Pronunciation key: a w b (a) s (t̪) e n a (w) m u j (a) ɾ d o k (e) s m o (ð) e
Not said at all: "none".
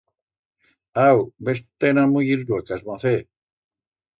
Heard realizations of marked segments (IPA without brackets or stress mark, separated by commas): e, t̪, none, i, a, θ